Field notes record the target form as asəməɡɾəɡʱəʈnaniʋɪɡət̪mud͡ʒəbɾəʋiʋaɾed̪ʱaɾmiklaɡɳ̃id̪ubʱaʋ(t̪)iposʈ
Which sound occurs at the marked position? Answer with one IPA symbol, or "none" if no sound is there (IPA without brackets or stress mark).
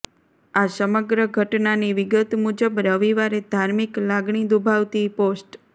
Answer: t̪